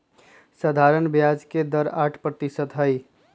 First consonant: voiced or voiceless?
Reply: voiceless